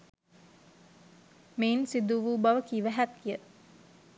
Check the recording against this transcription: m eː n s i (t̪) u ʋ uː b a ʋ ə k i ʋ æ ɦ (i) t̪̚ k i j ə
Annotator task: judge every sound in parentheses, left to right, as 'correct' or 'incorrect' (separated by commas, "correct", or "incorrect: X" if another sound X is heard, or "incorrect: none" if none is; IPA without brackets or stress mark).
incorrect: d̪, incorrect: æ